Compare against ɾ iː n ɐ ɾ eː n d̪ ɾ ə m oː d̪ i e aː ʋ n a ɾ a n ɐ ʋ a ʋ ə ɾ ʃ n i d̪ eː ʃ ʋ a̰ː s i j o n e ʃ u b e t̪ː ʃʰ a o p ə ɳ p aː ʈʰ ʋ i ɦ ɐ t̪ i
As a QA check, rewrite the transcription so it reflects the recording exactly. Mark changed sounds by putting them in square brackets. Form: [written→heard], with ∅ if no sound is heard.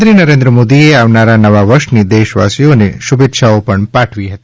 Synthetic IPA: ɾ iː n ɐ ɾ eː n d̪ ɾ ə m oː d̪ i e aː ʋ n a ɾ a n ɐ ʋ a ʋ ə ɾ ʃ n i d̪ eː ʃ ʋ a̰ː s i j o n e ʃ u b e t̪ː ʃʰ a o p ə ɳ p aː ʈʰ ʋ i ɦ ɐ t̪ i

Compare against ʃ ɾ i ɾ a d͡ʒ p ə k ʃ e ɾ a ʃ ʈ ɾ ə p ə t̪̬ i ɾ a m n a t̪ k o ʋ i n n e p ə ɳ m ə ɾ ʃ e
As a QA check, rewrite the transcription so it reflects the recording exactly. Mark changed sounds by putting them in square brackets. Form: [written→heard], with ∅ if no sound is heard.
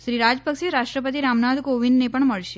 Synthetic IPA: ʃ ɾ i ɾ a d͡ʒ p ə k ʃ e ɾ a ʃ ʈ ɾ ə p ə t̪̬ i ɾ a m n a [t̪→d̪] k o ʋ i n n e p ə ɳ m ə [ɾ→ɭ] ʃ e

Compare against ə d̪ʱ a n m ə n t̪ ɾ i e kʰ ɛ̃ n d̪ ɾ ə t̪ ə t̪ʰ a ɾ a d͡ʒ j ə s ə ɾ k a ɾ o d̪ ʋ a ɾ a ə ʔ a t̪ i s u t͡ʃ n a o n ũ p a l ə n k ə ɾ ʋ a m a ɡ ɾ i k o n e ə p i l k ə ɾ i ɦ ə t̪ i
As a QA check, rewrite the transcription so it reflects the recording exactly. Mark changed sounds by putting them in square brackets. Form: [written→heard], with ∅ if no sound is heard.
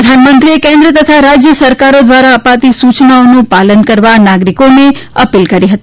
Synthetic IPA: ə d̪ʱ a n m ə n t̪ ɾ i e [kʰ→k] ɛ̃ n d̪ ɾ ə t̪ ə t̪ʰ a ɾ a d͡ʒ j ə s ə ɾ k a ɾ o d̪ ʋ a ɾ a ə [ʔ→p] a t̪ i s u t͡ʃ n a o n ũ p a l ə n k ə ɾ ʋ a [m→n] a ɡ ɾ i k o n e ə p i l k ə ɾ i ɦ ə t̪ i

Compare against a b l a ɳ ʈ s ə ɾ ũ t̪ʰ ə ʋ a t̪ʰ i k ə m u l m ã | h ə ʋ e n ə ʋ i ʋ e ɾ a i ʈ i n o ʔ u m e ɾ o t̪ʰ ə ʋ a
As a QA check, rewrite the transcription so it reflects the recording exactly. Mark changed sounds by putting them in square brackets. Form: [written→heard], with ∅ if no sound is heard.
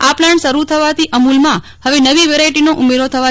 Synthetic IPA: a [b→p] l a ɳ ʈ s ə ɾ [ũ→u] t̪ʰ ə ʋ a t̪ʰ i [k→ʔ] ə m u l m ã | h ə ʋ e n ə ʋ i ʋ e ɾ a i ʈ i n o ʔ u m e ɾ o t̪ʰ ə ʋ a

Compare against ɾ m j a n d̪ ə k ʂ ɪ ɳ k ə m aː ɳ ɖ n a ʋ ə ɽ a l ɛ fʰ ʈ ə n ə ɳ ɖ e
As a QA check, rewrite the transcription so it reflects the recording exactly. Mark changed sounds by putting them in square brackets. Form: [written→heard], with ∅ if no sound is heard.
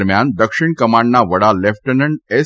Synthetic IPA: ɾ m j a n d̪ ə k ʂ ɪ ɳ k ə m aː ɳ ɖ n a ʋ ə ɽ a l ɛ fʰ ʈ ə n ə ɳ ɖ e

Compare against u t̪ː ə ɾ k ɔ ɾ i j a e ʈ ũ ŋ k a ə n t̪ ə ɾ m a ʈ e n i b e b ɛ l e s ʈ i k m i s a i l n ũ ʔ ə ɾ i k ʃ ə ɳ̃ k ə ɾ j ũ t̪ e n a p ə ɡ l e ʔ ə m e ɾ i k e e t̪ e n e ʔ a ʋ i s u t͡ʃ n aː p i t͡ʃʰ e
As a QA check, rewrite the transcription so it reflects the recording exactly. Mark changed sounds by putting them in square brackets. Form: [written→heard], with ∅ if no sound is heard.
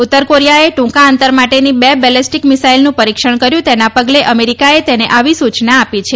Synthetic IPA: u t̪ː ə ɾ k [ɔ→o] ɾ i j a e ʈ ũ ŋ k a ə n t̪ ə ɾ m a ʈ e n i b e b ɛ l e s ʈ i k m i s a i l n ũ [ʔ→p] ə ɾ i k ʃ ə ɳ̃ k ə ɾ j ũ t̪ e n a p ə ɡ l e ʔ ə m e ɾ i k [e→a] e t̪ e n e ʔ a ʋ i s u t͡ʃ n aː p i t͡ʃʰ e

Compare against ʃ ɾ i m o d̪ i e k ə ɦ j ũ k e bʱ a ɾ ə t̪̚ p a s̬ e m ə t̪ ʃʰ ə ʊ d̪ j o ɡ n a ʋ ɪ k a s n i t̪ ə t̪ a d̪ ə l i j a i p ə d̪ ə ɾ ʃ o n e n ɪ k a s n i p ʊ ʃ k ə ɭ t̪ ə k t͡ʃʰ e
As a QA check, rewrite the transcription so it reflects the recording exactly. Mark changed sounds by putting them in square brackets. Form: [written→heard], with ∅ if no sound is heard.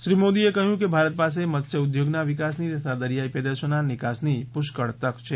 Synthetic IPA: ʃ ɾ i m o d̪ i e k ə ɦ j ũ k e bʱ a ɾ ə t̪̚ p a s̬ e m ə t̪ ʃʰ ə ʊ d̪ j o ɡ n a ʋ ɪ k a s n i t̪ ə [t̪→t̪ʰ] a d̪ ə [l→ɾ] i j a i p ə d̪ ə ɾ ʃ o n [e→a] n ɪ k a s n i p ʊ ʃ k ə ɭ t̪ ə k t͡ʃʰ e

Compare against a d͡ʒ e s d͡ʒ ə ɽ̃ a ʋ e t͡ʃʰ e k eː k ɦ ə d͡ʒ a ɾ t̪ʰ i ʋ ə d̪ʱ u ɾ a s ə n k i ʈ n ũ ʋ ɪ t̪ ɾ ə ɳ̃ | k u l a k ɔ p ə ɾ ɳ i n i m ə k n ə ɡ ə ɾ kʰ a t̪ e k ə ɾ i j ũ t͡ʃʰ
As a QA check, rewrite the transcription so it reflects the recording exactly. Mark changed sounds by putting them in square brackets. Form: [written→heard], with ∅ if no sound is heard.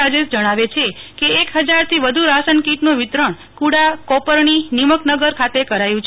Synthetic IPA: a d͡ʒ e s d͡ʒ ə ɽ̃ a ʋ e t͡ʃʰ e k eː k ɦ ə d͡ʒ a ɾ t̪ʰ i ʋ ə d̪ʱ u ɾ a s ə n k i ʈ n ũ ʋ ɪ t̪ ɾ ə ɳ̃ | k u [l→ɽ] a k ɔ p ə ɾ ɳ i n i m ə k n ə ɡ ə ɾ kʰ a t̪ e k ə ɾ [i→a] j ũ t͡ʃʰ

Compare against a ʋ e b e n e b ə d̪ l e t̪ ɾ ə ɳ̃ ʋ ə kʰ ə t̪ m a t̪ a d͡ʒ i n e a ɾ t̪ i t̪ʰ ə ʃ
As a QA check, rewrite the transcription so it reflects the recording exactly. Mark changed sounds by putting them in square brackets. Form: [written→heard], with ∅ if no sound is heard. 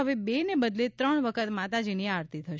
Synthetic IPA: [a→ə] ʋ e b e n e b ə d̪ l e t̪ ɾ ə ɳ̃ ʋ ə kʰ ə t̪ m a t̪ a d͡ʒ i n [e→i] a ɾ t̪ i t̪ʰ ə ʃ

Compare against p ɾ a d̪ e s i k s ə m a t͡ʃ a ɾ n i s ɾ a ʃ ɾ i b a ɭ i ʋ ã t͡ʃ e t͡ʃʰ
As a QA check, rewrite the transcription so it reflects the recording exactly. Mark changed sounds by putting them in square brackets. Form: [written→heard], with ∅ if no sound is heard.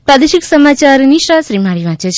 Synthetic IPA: p ɾ a d̪ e [s→ʃ] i k s ə m a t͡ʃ a ɾ n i [s→ʃ] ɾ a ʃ ɾ i [b→m] a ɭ i ʋ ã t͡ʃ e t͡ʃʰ

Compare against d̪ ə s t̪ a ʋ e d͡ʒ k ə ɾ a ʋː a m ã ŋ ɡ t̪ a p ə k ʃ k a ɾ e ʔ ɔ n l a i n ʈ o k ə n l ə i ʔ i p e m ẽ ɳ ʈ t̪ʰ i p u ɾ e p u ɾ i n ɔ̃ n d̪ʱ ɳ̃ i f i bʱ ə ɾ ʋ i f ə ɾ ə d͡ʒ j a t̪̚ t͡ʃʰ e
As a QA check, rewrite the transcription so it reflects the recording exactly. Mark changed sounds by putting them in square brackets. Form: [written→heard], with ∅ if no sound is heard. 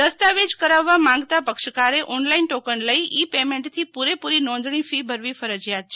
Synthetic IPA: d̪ ə s t̪ a ʋ e d͡ʒ k ə ɾ a ʋː a m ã ŋ ɡ t̪ a p ə k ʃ k a ɾ e ʔ ɔ n l a i n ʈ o k ə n l ə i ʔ i p e m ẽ ɳ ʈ t̪ʰ i p u ɾ e p u ɾ i n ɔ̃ n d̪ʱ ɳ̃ i f i bʱ ə ɾ ʋ i f ə ɾ ə d͡ʒ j a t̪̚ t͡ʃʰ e

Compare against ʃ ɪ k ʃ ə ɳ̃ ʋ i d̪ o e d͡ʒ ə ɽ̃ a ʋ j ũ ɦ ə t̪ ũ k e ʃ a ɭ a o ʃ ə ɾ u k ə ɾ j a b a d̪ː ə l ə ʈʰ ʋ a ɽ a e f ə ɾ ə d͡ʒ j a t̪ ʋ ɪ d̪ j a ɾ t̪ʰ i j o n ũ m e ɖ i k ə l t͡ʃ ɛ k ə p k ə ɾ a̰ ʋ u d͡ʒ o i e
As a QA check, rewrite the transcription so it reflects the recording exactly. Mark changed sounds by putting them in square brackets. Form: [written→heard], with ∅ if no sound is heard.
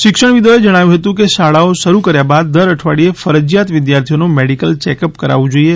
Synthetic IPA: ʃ ɪ k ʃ ə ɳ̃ ʋ i d̪ o e d͡ʒ ə ɽ̃ a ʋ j ũ ɦ ə t̪ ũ k e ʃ a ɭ a o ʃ ə ɾ u k ə ɾ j a b a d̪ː ə [l→ɾ] ə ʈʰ ʋ a ɽ [a→i] e f ə ɾ ə d͡ʒ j a t̪ ʋ ɪ d̪ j a ɾ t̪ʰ i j o n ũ m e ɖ i k ə l t͡ʃ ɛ k ə p k ə ɾ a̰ ʋ [u→ũ] d͡ʒ o i e

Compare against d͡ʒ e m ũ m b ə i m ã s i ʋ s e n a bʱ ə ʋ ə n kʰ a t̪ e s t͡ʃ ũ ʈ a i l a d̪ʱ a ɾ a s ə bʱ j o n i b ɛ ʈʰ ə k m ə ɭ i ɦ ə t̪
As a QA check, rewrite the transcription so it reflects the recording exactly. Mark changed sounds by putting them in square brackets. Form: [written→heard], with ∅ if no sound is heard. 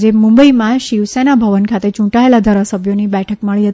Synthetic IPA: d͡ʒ e m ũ m b ə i m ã [s→ʃ] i ʋ s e n a bʱ ə ʋ ə n kʰ a t̪ e [s→∅] t͡ʃ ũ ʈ a [i→e] l a d̪ʱ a ɾ a s ə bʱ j o n i b ɛ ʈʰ ə k m ə ɭ i ɦ ə t̪

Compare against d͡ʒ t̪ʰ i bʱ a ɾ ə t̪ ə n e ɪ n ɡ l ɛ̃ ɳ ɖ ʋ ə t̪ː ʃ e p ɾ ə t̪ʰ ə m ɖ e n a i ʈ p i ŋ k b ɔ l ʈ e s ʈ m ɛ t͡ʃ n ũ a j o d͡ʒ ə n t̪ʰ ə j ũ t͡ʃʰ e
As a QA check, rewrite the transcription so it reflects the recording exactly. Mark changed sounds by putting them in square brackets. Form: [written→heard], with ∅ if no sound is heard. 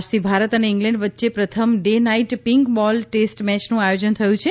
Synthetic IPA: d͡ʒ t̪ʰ i bʱ a ɾ ə t̪ ə n e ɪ [n→ŋ] ɡ l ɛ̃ ɳ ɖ ʋ ə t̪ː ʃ e p ɾ ə t̪ʰ ə m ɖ e n a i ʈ p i ŋ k b ɔ l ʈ e s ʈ m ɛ t͡ʃ n ũ a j o d͡ʒ ə n t̪ʰ ə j ũ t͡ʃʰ e

